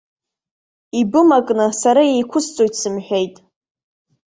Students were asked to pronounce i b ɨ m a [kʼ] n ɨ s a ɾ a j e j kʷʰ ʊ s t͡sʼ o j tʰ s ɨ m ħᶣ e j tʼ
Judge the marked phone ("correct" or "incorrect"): correct